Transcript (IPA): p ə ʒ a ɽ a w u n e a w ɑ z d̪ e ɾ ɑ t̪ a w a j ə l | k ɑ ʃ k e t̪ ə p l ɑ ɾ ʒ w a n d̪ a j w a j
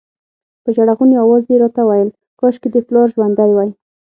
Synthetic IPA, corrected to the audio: p ə ʒ a ɽ a ɣ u n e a w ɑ z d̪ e ɾ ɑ t̪ a w a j ə l | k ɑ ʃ k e d̪ ə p l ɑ ɾ ʒ w a n d̪ a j w a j